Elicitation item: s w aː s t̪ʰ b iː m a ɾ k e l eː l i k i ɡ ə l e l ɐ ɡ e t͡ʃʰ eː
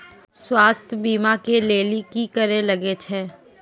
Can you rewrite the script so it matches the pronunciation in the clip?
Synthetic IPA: s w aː s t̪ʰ b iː m a k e l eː l i k i k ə ɾ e l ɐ ɡ e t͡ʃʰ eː